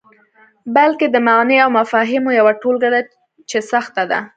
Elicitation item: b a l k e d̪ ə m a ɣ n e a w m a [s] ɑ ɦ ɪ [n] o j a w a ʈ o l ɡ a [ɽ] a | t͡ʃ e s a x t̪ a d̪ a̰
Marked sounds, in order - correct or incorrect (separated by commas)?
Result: incorrect, incorrect, correct